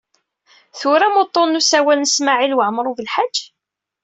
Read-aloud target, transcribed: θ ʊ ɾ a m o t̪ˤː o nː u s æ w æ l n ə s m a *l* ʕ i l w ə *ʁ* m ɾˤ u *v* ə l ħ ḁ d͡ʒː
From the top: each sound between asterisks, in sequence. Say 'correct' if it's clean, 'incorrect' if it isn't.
incorrect, incorrect, correct

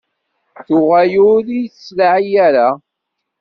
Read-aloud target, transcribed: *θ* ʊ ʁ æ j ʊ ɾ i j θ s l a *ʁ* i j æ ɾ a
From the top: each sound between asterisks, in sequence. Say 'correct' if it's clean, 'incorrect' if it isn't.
correct, incorrect

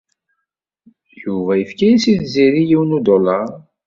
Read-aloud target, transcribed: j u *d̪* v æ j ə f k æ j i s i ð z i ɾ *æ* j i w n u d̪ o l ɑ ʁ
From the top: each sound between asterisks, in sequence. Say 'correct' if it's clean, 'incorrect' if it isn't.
incorrect, incorrect

